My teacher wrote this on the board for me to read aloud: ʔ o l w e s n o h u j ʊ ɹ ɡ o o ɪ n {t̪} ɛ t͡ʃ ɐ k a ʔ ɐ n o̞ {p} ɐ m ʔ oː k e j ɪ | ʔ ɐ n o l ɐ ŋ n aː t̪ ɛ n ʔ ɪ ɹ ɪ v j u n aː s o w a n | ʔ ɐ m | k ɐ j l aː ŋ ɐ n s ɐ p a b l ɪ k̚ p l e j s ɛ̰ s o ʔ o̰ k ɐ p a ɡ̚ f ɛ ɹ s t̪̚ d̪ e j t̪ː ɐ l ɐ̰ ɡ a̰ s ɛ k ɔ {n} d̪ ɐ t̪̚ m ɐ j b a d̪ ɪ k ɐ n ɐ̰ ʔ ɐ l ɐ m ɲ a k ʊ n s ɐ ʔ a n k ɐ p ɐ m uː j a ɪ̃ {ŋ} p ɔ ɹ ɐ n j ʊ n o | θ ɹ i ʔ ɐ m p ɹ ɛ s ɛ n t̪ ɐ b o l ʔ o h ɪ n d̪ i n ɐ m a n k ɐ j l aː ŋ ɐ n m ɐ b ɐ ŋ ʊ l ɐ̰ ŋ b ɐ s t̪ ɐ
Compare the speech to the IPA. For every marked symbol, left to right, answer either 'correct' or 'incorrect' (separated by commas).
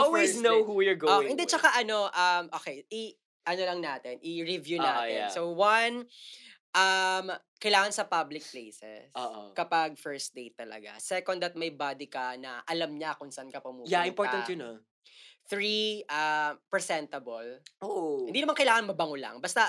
incorrect, incorrect, correct, incorrect